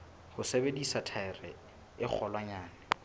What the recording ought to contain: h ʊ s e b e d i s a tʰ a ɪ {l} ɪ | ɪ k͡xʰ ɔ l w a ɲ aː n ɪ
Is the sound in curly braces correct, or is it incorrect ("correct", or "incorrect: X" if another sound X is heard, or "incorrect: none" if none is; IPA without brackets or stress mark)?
incorrect: r